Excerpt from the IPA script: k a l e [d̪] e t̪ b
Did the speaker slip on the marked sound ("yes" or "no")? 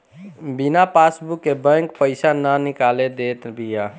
no